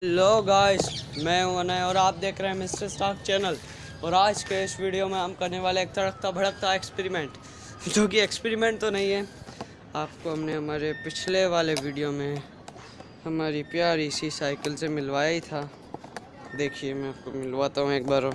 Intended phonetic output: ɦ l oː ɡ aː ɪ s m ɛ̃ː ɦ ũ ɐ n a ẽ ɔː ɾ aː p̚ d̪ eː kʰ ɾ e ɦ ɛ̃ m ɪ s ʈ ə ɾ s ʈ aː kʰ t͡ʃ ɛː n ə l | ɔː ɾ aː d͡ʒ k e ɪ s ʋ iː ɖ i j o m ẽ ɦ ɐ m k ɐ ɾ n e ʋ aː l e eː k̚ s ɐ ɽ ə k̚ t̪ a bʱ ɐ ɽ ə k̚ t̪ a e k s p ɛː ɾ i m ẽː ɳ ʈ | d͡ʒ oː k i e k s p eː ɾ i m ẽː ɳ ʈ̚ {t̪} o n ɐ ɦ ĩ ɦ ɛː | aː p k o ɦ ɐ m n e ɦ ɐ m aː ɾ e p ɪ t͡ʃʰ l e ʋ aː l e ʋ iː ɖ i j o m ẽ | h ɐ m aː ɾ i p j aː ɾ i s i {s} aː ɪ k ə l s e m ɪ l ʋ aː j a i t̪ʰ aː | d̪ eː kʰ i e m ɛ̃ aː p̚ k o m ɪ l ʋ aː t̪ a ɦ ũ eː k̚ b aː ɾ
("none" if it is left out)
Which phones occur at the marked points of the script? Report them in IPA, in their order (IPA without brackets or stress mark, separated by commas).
t̪, s